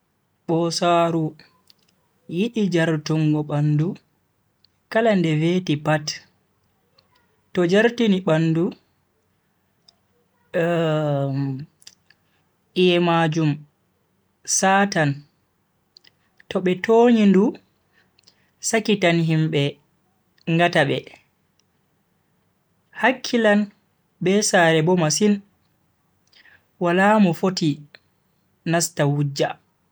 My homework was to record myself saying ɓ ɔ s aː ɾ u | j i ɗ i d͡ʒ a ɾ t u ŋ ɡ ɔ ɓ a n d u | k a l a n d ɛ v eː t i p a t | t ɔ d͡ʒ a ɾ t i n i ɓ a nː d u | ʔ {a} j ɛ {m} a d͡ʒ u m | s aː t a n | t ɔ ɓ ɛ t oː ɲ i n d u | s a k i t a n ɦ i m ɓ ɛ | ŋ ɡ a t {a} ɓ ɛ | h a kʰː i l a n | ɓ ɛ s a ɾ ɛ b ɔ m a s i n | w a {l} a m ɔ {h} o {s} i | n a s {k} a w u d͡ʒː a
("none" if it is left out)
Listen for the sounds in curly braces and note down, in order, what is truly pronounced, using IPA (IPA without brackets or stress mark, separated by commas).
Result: i, m, a, l, f, t, t